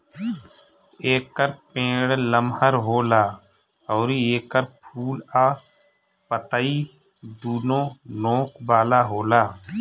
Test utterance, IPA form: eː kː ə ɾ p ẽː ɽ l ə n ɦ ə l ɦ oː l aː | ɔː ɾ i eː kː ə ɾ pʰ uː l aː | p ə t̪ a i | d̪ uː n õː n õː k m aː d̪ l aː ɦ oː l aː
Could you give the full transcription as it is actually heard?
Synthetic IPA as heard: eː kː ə ɾ p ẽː ɽ l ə m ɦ ə ɾ ɦ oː l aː | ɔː ɾ i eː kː ə ɾ pʰ uː l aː | p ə t̪ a i | d̪ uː n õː n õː k b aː l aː ɦ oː l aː

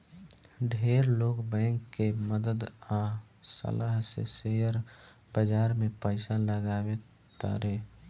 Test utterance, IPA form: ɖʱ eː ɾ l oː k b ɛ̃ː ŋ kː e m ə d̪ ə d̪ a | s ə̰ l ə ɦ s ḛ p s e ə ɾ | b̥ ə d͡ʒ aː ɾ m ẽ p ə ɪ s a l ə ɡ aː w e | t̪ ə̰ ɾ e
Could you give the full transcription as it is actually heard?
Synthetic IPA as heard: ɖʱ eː ɾ l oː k b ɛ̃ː ŋ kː e m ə d̪ ə d̪ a | s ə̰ l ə ɦ s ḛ s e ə ɾ | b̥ ə d͡ʒ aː ɾ m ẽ p ə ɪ s a l ə ɡ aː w e | t̪ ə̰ ɾ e

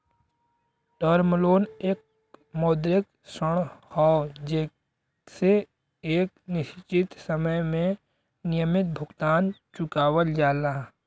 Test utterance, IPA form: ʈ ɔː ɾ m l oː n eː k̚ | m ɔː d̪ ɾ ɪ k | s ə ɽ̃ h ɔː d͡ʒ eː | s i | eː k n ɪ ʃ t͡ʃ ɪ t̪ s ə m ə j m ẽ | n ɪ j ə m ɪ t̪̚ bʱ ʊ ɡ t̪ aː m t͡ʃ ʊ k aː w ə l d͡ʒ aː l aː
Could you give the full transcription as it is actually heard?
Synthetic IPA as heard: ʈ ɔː ɾ m l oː n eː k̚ | m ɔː d̪ ɾ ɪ k | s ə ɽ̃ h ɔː d͡ʒ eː | s e | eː k n ɪ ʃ t͡ʃ ɪ t̪ s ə m ə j m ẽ | n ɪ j ə m ɪ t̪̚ bʱ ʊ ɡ t̪ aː n t͡ʃ ʊ k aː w ə l d͡ʒ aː l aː

